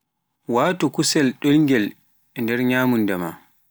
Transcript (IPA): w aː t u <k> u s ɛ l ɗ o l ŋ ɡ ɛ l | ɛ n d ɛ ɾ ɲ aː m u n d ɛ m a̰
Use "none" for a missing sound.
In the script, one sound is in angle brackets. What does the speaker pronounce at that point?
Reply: k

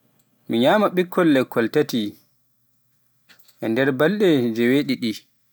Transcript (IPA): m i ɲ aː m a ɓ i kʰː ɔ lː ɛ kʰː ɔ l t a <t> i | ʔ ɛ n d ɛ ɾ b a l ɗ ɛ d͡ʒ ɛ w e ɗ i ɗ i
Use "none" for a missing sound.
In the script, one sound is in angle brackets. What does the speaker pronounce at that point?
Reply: t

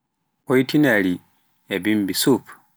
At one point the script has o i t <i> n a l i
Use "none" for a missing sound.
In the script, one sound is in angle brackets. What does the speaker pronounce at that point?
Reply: i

